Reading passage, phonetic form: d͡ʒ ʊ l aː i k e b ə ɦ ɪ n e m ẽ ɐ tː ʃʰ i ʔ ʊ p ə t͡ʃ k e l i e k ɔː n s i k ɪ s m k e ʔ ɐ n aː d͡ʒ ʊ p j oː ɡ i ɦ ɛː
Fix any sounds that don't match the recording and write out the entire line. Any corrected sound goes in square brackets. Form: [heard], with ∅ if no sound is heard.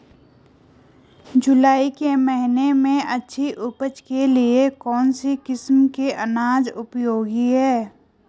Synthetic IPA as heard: d͡ʒ ʊ l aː i k e [m] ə ɦ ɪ n e m ẽ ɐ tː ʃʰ i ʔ ʊ p ə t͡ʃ k e l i e k ɔː n s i k ɪ s m k e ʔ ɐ n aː d͡ʒ ʊ p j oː ɡ i ɦ ɛː

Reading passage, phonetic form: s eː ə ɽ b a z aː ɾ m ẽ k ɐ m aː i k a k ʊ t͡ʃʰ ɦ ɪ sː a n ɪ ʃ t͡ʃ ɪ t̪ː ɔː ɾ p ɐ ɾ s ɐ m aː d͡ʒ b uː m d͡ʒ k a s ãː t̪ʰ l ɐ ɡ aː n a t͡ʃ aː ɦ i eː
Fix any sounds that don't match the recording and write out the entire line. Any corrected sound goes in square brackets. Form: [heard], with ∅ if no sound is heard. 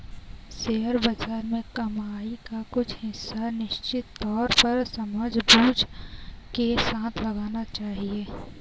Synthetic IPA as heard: s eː ə [ɾ] b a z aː ɾ m ẽ k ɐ m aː i k a k ʊ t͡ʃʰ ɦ ɪ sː a n ɪ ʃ t͡ʃ ɪ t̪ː ɔː ɾ p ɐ ɾ s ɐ m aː d͡ʒ b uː [∅] d͡ʒ k [e] s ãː t̪ʰ l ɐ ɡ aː n a t͡ʃ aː ɦ i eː

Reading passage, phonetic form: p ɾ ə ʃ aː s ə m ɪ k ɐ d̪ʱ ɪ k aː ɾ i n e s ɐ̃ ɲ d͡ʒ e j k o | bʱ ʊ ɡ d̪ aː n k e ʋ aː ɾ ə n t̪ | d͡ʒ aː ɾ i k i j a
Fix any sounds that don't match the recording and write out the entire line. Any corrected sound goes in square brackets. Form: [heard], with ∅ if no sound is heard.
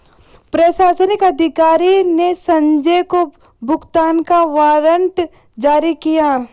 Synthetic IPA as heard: p ɾ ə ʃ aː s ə [n] ɪ k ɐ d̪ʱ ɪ k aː ɾ i n e s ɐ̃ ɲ d͡ʒ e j k o | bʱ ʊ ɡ [t̪] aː n k [a] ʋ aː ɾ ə n t̪ | d͡ʒ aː ɾ i k i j a

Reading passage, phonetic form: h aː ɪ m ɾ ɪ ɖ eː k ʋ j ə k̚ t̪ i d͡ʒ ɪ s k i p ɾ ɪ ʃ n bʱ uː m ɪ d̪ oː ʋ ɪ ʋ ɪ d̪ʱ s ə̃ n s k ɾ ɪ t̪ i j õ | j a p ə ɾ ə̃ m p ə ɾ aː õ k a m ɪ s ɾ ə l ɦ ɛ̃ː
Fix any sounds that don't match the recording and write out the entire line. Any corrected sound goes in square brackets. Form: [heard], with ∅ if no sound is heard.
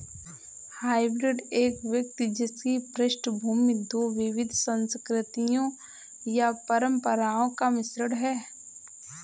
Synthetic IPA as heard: h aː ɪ [b] ɾ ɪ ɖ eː k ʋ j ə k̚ t̪ i d͡ʒ ɪ s k i p ɾ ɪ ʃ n bʱ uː m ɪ d̪ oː ʋ ɪ ʋ ɪ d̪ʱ s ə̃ n s k ɾ ɪ t̪ i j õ | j a p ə ɾ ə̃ m p ə ɾ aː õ k a m ɪ s ɾ ə [ɽ] ɦ [ɛː]

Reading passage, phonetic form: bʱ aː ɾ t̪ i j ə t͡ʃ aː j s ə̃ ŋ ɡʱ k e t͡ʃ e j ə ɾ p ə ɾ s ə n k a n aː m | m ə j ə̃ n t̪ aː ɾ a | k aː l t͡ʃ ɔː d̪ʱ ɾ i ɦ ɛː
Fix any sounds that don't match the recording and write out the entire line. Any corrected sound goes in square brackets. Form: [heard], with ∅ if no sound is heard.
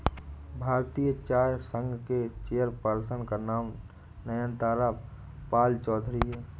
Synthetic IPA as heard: bʱ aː ɾ t̪ i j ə t͡ʃ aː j s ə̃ ŋ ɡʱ k e t͡ʃ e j ə ɾ p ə ɾ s ə n k a n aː m | [n] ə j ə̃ n t̪ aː ɾ a | [p] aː l t͡ʃ ɔː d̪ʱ ɾ i ɦ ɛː

